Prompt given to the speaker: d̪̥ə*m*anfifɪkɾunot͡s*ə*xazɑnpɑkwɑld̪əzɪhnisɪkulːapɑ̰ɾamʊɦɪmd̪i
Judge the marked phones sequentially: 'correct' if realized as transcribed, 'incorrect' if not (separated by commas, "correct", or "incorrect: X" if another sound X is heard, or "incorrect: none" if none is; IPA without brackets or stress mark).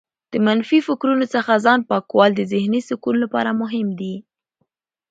correct, correct